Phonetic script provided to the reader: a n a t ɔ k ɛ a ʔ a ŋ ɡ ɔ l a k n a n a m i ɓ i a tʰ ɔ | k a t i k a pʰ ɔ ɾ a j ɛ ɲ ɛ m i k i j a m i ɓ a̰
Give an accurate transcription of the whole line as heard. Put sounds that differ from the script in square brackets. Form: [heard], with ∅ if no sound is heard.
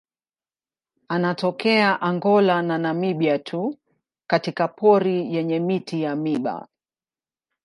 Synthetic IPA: a n a t ɔ k ɛ a ʔ a ŋ ɡ ɔ l a [∅] n a n a m i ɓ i a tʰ [u] | k a t i k a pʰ ɔ ɾ [i] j ɛ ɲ ɛ m i [t] i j a m i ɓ a̰